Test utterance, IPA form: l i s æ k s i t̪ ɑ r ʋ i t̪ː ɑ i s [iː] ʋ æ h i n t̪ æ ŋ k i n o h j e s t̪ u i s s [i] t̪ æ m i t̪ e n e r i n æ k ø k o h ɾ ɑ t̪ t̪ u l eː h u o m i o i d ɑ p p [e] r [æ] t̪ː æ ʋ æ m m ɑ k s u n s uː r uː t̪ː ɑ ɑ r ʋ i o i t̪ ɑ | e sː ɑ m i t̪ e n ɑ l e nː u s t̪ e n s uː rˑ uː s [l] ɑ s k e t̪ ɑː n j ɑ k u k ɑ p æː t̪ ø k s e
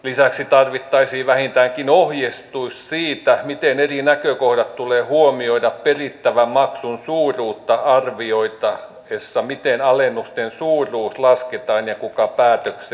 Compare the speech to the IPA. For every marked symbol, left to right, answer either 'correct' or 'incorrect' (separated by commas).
correct, incorrect, correct, incorrect, correct